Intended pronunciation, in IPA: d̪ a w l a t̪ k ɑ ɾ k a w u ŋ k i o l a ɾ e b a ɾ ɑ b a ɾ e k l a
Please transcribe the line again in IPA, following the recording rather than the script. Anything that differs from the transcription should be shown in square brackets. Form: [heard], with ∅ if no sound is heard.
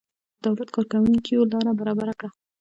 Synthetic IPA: d̪ a w l a t̪ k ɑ ɾ k a w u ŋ k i o l [ɑ] ɾ [a] b a ɾ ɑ b a ɾ [a] k [ɽ] a